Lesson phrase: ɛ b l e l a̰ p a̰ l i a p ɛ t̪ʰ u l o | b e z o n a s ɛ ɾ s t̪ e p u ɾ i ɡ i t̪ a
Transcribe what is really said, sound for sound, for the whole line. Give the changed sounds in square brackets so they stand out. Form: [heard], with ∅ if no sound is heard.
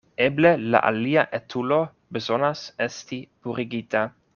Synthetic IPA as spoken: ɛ b l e l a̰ [ʔ] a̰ l i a [ʔ] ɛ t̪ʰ u l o | b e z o n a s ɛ [∅] s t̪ [i] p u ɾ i ɡ i t̪ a